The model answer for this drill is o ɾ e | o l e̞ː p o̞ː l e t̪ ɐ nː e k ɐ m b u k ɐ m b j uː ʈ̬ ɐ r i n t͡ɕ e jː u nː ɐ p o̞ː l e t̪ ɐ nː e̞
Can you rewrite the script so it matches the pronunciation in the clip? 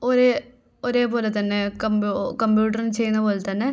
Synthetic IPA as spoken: o ɾ e | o ɾ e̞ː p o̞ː l e t̪ ɐ nː e k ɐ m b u k ɐ m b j uː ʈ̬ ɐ r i n t͡ɕ e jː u nː ɐ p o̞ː l e t̪ ɐ nː e̞